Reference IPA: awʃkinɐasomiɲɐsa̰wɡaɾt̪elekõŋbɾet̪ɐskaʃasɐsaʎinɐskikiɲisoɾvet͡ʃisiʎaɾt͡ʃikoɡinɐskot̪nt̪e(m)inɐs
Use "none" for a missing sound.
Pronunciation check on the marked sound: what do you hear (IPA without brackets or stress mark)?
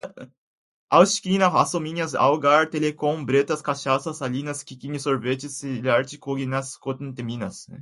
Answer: m